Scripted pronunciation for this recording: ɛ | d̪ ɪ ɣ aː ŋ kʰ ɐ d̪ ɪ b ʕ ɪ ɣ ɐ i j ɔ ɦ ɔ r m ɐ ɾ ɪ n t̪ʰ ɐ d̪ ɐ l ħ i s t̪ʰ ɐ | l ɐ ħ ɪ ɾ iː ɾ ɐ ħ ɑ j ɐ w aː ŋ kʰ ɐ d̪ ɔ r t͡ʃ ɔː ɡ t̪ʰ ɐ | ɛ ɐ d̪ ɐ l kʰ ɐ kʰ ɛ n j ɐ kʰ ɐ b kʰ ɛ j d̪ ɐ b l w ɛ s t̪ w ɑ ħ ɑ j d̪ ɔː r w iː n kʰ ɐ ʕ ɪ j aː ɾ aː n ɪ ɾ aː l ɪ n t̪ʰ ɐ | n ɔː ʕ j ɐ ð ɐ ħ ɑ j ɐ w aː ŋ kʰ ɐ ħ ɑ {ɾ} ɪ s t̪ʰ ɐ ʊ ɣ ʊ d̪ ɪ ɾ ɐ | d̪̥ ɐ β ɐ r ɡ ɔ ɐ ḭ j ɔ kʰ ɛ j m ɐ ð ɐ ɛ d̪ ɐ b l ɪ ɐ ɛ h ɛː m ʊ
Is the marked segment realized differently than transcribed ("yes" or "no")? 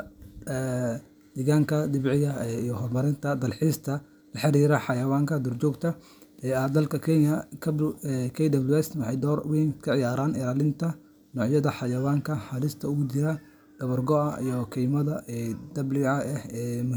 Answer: yes